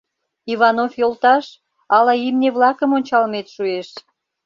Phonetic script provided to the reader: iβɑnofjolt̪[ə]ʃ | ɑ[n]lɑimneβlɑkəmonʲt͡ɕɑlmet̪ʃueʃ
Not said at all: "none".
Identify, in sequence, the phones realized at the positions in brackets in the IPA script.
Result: ɑ, none

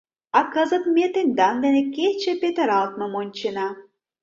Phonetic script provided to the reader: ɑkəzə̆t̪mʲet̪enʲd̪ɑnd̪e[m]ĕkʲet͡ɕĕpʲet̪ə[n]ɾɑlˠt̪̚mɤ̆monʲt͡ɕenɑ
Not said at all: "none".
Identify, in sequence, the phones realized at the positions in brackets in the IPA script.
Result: n, none

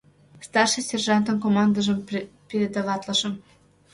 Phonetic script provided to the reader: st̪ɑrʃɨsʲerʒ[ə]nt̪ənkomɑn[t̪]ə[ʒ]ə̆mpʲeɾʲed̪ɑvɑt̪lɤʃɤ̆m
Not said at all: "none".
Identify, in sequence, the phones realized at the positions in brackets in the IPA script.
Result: ɑ, d̪, ʒ

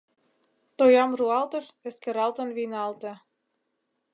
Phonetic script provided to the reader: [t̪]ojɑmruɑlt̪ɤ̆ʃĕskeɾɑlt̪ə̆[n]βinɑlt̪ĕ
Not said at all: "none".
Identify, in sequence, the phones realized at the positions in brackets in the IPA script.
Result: t̪, n

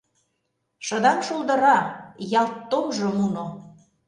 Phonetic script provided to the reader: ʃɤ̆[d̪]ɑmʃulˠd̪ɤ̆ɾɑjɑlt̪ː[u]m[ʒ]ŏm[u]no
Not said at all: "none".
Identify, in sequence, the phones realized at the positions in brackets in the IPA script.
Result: d̪, o, ʒ, u

